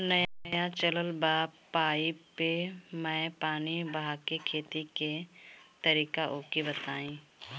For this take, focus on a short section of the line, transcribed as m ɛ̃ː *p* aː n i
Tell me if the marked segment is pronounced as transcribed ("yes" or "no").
yes